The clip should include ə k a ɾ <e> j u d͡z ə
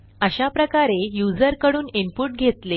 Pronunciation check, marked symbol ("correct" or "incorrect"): correct